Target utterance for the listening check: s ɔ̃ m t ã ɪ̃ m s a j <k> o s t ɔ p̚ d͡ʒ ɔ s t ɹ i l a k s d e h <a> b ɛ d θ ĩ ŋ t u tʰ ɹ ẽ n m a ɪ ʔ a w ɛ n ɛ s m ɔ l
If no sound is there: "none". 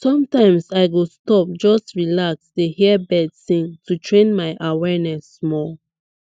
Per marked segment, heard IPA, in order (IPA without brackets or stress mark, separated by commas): ɡ, i